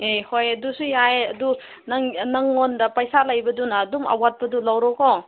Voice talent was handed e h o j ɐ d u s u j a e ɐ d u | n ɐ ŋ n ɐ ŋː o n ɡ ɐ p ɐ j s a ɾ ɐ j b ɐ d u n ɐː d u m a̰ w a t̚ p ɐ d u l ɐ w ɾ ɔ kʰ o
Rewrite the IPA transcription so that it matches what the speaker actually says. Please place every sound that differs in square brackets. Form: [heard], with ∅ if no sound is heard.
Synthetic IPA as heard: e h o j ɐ d u s u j a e ɐ d u | n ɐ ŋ n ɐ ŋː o n [d] ɐ p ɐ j s a [l] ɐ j b ɐ d u n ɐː d u m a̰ w a t̚ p ɐ d u l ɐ w ɾ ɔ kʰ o

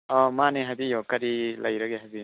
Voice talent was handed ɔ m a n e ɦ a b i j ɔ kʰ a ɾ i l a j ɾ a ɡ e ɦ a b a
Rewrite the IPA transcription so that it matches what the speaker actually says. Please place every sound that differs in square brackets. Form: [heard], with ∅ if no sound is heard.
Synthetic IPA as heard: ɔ m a n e ɦ a b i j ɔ [k] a ɾ i l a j ɾ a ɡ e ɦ a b [i]

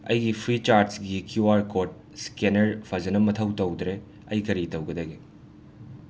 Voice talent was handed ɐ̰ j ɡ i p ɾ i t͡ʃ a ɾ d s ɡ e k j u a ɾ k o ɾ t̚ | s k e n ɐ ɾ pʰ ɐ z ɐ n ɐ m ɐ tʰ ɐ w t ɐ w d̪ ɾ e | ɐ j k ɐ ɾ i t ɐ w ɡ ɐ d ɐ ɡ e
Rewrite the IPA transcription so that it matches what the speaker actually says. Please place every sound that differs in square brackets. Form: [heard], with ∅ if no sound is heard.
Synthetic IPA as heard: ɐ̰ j ɡ i [pʰ] ɾ i t͡ʃ a ɾ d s ɡ [i] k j u a ɾ k o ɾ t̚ | s k e n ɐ ɾ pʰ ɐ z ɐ n ɐ m ɐ tʰ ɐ w t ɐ w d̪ ɾ e | ɐ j k ɐ ɾ i t ɐ w ɡ ɐ d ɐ ɡ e

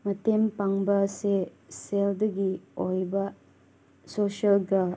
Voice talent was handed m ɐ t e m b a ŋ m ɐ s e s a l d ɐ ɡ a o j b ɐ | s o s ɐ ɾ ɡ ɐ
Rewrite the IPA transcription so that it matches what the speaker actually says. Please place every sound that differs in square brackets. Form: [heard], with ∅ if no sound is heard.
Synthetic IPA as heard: m ɐ t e m [p] a ŋ [b] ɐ s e s [e] l d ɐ ɡ [i] o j b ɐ | s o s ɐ [l] ɡ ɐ

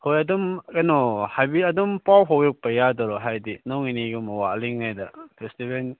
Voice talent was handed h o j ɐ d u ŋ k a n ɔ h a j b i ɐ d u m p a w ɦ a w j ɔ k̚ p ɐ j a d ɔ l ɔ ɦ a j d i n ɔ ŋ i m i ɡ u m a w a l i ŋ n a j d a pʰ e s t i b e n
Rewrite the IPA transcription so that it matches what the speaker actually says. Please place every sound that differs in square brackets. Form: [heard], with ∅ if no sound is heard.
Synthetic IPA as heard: h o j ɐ d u [m] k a n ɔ h a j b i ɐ d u m p a w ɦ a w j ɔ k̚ p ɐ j a d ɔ [ɾ] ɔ ɦ a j d i n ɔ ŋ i [n] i ɡ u m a w a l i ŋ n a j d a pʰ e s t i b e n

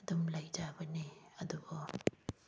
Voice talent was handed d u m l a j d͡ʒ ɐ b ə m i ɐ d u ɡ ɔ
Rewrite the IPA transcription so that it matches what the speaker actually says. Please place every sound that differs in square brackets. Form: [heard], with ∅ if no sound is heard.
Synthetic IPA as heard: d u m l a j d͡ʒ [a] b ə [n] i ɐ d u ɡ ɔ

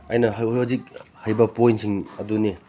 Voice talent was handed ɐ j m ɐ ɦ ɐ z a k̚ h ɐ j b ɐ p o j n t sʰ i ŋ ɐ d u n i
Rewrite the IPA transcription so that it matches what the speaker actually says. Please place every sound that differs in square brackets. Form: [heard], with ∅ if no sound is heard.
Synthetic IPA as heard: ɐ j [n] ɐ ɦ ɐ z [i] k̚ h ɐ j b ɐ p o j n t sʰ i ŋ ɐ d u n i

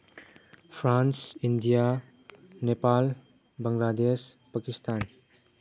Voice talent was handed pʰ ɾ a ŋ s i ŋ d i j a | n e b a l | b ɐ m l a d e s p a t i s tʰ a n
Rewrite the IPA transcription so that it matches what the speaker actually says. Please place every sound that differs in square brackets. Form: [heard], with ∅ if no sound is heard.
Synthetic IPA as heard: pʰ ɾ a [n] s i [n] d i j a | n e [p] a l | b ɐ [ŋ] l a d e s p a [k] i s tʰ a n

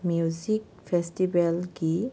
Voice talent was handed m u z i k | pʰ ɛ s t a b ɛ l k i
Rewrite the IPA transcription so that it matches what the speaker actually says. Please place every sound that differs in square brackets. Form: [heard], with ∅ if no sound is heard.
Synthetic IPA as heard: m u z i k | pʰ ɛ s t [i] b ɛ l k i

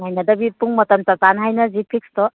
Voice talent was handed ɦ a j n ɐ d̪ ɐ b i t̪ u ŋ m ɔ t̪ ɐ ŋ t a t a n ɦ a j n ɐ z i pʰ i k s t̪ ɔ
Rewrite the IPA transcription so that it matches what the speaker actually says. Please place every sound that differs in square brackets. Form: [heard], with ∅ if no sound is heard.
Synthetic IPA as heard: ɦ a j n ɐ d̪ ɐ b i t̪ u ŋ m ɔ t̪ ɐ [m] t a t a n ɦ a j n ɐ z i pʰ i k s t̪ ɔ

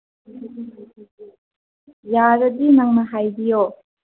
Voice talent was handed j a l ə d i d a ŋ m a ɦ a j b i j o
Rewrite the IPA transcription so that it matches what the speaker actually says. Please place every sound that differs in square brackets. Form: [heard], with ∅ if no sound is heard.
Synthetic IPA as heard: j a [ɾ] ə d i [n] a ŋ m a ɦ a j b i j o

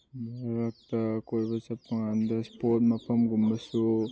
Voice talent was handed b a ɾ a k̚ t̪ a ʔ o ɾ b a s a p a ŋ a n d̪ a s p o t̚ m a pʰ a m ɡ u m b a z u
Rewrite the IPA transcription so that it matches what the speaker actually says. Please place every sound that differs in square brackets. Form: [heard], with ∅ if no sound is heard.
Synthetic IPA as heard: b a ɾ a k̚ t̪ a [k] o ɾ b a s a p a ŋ a n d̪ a s p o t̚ m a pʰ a m ɡ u m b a [s] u

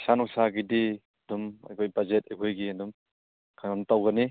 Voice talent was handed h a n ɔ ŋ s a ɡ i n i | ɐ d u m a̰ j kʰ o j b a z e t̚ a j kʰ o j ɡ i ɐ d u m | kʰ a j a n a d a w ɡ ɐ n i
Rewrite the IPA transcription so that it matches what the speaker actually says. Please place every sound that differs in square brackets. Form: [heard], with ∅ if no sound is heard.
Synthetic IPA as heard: [s] a n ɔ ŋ s a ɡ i [d] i | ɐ d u m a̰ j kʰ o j b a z e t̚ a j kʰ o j ɡ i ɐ d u m | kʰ a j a n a [t] a w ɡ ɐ n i

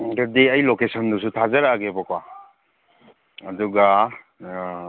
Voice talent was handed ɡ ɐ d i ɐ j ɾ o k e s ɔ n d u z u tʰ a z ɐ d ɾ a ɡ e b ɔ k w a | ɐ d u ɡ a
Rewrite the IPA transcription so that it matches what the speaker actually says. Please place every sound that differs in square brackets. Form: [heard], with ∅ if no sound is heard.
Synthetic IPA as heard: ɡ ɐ d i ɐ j [l] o k e s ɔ n d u [s] u tʰ a z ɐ [∅] ɾ a ɡ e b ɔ k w a | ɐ d u ɡ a

